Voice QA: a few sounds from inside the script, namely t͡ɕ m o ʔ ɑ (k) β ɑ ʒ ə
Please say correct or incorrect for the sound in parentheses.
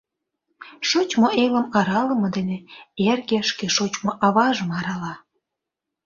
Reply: incorrect